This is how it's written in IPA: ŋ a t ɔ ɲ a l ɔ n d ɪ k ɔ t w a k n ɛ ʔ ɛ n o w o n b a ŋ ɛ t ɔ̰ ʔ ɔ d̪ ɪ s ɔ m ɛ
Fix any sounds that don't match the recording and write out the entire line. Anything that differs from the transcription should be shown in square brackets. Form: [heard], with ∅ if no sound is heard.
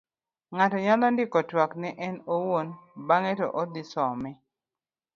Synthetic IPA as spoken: ŋ a t ɔ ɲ a l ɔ n d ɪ k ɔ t w a k n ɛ ʔ ɛ n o w o n b a ŋ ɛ t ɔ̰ ʔ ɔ d̪ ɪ s ɔ m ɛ